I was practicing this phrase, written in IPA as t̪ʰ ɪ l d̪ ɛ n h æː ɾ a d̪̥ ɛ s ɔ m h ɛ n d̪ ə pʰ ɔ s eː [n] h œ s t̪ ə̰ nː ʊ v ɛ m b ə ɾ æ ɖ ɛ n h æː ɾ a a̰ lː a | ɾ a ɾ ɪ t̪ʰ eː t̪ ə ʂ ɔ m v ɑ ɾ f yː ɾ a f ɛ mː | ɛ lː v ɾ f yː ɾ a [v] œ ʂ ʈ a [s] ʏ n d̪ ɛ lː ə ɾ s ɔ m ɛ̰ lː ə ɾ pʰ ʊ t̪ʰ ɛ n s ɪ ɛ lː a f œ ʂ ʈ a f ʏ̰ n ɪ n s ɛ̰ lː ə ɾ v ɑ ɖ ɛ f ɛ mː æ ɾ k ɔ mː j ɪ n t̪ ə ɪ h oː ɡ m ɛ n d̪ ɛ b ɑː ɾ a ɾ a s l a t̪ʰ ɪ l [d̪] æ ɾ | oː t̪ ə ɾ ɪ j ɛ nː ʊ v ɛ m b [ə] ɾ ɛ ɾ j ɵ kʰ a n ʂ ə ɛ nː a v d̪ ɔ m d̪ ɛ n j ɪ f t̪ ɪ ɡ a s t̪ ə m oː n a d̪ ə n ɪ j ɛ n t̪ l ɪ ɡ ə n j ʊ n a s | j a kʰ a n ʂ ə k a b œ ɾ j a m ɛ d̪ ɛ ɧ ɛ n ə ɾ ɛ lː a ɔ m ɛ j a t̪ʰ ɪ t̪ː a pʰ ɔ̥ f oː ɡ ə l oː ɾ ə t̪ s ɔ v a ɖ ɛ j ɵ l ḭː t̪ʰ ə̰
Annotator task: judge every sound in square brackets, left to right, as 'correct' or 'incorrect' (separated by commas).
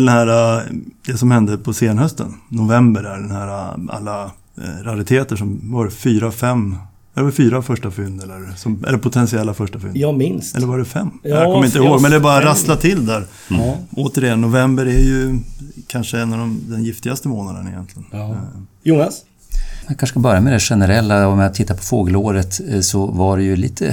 correct, incorrect, incorrect, correct, correct